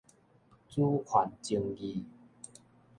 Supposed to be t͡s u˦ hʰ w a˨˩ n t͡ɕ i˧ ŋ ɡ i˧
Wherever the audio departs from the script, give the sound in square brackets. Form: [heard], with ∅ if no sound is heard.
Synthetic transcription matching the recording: t͡s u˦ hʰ w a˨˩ n t͡ɕ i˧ ŋ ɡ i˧